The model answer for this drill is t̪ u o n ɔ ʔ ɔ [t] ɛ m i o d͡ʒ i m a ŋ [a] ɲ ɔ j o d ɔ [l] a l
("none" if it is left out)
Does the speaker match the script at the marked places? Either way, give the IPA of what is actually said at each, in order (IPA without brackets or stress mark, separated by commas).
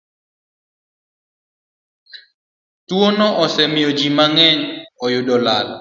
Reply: s, ɛ, l